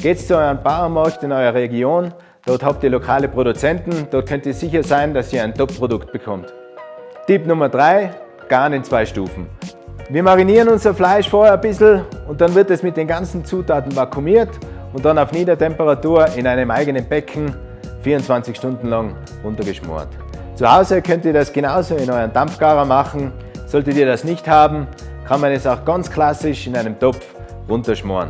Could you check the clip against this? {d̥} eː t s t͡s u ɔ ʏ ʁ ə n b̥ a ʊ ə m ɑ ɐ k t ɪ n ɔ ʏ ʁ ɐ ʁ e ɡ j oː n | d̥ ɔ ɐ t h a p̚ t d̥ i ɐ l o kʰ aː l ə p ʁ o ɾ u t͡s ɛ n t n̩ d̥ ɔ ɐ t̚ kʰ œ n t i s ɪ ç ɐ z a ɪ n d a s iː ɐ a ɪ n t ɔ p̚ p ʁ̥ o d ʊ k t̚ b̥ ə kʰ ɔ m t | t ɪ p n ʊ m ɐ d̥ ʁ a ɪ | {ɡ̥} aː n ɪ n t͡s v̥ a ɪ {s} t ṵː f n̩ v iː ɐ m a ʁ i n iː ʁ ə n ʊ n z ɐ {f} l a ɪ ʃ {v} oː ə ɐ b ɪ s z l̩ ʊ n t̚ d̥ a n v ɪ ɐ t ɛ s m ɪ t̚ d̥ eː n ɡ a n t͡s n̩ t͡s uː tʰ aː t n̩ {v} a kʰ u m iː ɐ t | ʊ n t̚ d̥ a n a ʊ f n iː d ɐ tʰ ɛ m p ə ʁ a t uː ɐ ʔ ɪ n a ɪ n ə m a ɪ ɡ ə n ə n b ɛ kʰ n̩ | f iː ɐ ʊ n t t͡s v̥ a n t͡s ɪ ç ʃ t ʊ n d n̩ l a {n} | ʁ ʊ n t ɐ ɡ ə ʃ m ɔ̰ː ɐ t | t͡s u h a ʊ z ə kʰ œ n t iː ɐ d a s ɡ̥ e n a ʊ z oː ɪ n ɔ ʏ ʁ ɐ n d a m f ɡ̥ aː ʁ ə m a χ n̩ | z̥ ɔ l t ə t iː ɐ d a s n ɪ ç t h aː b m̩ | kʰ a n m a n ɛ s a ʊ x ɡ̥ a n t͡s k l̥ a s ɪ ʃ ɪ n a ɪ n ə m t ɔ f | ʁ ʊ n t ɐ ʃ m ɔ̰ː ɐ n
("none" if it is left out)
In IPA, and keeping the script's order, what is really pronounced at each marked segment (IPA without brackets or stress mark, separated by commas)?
ɡ̥, ɡ̥, ʃ, f, f, v, ŋ